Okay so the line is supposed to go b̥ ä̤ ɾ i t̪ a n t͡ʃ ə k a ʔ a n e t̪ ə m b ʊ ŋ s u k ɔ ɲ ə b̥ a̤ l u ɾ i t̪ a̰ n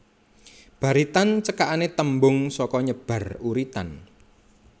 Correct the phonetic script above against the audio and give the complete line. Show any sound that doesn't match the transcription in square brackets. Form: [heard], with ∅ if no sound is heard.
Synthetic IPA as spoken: b̥ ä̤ ɾ i t̪ a n t͡ʃ ə k a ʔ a n e t̪ ə m b ʊ ŋ s [ɔ] k ɔ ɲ ə b̥ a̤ [r] u ɾ i t̪ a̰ n